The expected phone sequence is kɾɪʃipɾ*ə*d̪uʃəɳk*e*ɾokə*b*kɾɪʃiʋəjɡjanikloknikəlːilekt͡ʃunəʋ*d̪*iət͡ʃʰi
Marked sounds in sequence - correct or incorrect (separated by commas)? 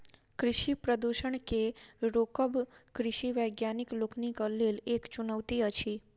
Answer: correct, correct, correct, incorrect